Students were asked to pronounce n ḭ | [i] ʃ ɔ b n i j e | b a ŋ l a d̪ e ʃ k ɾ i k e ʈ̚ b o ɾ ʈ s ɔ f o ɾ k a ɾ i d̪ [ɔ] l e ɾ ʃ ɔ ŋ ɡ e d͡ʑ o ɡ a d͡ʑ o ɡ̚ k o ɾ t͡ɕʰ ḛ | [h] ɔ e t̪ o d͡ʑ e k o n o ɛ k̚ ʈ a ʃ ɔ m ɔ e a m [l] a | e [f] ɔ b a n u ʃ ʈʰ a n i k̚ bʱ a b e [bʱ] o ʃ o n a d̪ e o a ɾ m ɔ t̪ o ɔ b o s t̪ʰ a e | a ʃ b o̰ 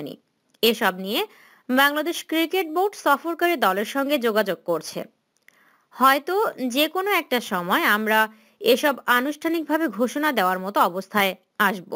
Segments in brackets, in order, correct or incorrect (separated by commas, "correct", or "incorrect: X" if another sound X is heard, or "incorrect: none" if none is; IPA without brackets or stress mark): incorrect: e, correct, correct, incorrect: ɾ, incorrect: ʃ, incorrect: ɡʱ